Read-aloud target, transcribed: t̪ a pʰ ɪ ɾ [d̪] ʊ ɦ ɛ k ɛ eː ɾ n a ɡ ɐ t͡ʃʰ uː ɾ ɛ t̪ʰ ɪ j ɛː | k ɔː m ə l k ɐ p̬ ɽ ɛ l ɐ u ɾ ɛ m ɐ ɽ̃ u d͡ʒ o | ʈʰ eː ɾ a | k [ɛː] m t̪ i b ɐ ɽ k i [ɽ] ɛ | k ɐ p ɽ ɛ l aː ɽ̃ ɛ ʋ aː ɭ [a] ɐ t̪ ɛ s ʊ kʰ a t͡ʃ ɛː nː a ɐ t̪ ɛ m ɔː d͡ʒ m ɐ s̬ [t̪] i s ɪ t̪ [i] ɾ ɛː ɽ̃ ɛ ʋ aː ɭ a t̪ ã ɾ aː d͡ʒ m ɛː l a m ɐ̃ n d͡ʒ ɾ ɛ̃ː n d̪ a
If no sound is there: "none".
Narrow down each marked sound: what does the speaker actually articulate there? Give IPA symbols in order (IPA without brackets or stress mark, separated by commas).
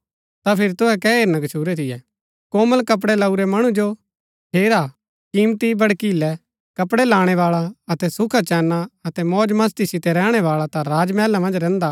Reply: t̪, iː, l, a, t̪, ɛ